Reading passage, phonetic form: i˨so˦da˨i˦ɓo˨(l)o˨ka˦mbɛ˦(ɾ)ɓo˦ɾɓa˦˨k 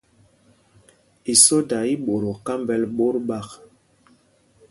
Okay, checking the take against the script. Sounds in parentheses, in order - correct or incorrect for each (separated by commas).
incorrect, incorrect